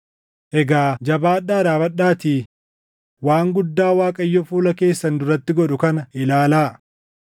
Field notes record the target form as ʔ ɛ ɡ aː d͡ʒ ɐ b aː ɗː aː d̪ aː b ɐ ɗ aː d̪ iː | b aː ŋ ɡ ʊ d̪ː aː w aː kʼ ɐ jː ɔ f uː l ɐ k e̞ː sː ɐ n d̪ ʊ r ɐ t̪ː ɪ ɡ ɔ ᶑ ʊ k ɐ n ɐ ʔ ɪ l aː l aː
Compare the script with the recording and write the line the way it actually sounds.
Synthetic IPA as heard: ʔ ɛ ɡ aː d͡ʒ ɐ b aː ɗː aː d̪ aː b ɐ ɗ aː t̪ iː | w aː ŋ ɡ ʊ d̪ː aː w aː kʼ ɐ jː ɔ f uː l ɐ k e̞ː sː ɐ n d̪ ʊ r ɐ t̪ː ɪ ɡ ɔ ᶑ ʊ k ɐ n ɐ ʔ ɪ l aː l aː

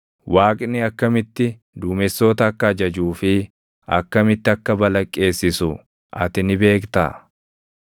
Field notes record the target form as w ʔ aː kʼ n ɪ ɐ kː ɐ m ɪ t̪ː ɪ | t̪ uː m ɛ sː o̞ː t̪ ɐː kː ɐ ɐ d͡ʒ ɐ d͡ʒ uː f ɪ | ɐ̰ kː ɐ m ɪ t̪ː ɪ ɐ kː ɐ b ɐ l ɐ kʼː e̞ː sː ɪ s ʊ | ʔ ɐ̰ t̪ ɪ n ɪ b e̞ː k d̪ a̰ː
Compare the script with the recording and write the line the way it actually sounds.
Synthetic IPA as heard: w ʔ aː kʼ n ɪ ɐ kː ɐ m ɪ t̪ː ɪ | d̪ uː m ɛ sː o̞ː t̪ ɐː kː ɐ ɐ d͡ʒ ɐ d͡ʒ uː f ɪ | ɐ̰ kː ɐ m ɪ t̪ː ɪ ɐ kː ɐ b ɐ l ɐ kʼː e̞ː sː ɪ s ʊ | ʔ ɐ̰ t̪ ɪ n ɪ b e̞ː k t̪ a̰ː

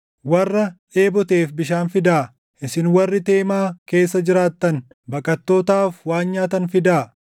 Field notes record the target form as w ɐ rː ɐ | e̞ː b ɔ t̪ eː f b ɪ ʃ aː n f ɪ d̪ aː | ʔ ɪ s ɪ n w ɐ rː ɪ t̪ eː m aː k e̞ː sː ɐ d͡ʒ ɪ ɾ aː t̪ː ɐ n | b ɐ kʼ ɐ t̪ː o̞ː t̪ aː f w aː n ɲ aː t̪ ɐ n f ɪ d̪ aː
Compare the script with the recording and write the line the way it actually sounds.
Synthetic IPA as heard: w ɐ rː ɐ | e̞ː b ɔ t̪ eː f b ɪ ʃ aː n f ɪ d̪ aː | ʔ ɪ s ɪ n w ɐ rː ɪ t̪ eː m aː k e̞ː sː ɐ d͡ʒ ɪ ɾ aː t̪ː ɐ n | b ɐ kʼ ɐ t̪ː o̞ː t̪ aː f w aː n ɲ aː t̪ ɐ n f ɪ d̪ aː

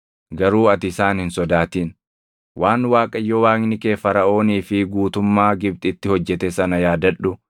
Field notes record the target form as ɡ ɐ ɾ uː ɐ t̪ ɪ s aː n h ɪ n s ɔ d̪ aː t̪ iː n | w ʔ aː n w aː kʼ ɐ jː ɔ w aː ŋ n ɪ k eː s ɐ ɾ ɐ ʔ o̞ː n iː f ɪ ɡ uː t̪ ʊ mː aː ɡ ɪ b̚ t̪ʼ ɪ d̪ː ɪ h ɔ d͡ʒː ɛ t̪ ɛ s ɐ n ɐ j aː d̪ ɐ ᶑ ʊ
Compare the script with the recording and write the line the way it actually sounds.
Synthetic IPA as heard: ɡ ɐ ɾ uː ɐ t̪ ɪ s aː n h ɪ n s ɔ d̪ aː t̪ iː n | w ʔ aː n w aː kʼ ɐ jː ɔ w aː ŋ n ɪ k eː f ɐ ɾ ɐ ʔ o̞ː n iː f ɪ ɡ uː t̪ ʊ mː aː ɡ ɪ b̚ t̪ʼ ɪ t̪ː ɪ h ɔ d͡ʒː ɛ t̪ ɛ s ɐ n ɐ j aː d̪ ɐ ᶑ ʊ

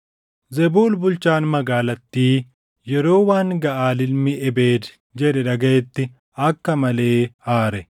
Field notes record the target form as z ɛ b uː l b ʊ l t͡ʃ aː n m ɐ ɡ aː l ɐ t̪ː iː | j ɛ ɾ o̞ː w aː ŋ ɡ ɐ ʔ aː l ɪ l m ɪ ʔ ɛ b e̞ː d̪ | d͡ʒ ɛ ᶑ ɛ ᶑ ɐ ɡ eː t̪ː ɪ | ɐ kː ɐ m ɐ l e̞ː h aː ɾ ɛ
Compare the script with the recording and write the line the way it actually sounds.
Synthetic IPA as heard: z ɛ b uː l b ʊ l t͡ʃ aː n m ɐ ɡ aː l ɐ t̪ː iː | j ɛ ɾ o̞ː w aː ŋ ɡ ɐ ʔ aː l ɪ l m ɪ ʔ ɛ b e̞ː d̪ | d͡ʒ ɛ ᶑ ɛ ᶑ ɐ ɡ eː t̪ː ɪ | ɐ kː ɐ m ɐ l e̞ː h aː ɾ ɛ

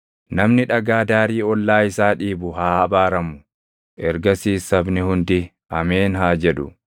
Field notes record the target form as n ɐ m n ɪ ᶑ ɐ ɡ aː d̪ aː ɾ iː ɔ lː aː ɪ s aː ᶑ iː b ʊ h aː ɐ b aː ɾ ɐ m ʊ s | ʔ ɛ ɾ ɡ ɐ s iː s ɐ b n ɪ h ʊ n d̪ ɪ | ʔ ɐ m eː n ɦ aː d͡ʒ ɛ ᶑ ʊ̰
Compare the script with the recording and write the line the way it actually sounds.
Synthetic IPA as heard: n ɐ m n ɪ ᶑ ɐ ɡ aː d̪ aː ɾ iː ɔ lː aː ɪ s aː ᶑ iː b ʊ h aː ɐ b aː ɾ ɐ m ʊ | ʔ ɛ ɾ ɡ ɐ s iː s ɐ b n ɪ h ʊ n d̪ ɪ | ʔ ɐ m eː n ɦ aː d͡ʒ ɛ ᶑ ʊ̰

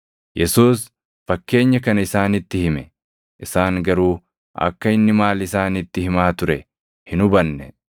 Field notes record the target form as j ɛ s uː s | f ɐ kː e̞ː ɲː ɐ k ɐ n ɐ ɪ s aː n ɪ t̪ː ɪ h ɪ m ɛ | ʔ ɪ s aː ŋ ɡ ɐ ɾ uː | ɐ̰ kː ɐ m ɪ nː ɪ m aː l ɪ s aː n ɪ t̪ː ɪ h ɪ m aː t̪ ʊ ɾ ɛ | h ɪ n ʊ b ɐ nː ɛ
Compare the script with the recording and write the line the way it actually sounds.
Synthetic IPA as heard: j ɛ s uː s | f ɐ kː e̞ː ɲː ɐ k ɐ n ɐ ɪ s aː n ɪ t̪ː ɪ h ɪ m ɛ | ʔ ɪ s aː ŋ ɡ ɐ ɾ uː | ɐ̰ kː ɐ ɪ nː ɪ m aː l ɪ s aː n ɪ t̪ː ɪ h ɪ m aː t̪ ʊ ɾ ɛ | h ɪ n ʊ b ɐ nː ɛ

